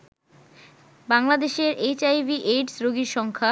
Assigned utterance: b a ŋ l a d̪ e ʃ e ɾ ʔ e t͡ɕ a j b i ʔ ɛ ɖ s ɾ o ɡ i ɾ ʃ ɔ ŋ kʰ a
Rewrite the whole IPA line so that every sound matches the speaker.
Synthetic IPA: b a ŋ l a d̪ e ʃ e ɾ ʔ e t͡ɕ a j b i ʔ e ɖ s ɾ o ɡ i ɾ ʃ ɔ ŋ kʰ a